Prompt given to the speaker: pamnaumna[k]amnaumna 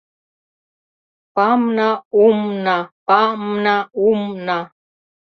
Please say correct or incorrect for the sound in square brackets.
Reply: incorrect